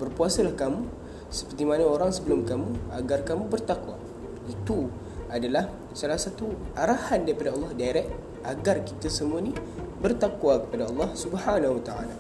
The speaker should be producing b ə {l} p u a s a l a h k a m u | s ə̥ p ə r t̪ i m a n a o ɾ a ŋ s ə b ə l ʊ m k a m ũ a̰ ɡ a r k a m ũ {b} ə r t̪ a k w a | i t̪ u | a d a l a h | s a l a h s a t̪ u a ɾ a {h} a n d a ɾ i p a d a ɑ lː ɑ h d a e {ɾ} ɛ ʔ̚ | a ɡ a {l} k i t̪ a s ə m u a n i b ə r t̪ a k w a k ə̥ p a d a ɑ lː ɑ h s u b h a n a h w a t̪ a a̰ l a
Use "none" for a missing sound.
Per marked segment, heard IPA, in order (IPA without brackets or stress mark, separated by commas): r, b, h, ɾ, r